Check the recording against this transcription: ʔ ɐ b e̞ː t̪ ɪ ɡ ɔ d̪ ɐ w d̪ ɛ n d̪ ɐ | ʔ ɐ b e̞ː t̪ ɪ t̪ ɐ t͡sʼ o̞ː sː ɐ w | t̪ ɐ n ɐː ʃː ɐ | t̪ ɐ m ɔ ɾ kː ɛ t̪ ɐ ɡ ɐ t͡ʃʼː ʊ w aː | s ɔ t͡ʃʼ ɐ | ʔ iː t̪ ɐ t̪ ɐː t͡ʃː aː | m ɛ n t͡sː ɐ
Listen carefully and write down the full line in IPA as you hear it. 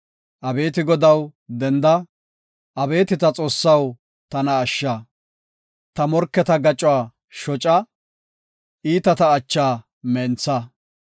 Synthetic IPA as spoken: ʔ ɐ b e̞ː t̪ ɪ ɡ ɔ d̪ ɐ w d̪ ɛ n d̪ ɐ | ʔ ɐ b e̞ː t̪ ɪ t̪ ɐ t͡sʼ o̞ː sː ɐ w | t̪ ɐ n ɐː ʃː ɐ | t̪ ɐ m ɔ ɾ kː ɛ t̪ ɐ ɡ ɐ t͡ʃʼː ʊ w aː | ʃ ɔ t͡ʃʼ ɐ | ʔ iː t̪ ɐ t̪ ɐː t͡ʃː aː | m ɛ n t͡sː ɐ